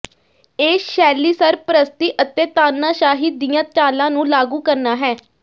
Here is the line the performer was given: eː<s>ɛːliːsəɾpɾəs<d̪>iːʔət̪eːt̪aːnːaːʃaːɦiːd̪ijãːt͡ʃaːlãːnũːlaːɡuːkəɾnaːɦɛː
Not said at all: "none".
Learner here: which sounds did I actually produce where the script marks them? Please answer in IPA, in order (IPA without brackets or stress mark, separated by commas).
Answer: ʃ, t̪